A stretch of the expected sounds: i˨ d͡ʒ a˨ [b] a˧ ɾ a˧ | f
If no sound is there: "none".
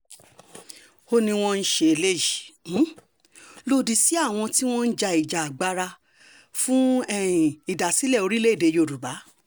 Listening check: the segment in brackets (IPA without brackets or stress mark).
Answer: ɡ͡b